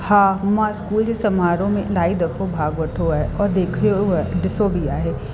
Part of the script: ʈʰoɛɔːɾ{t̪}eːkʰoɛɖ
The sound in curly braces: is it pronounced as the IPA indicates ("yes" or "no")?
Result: no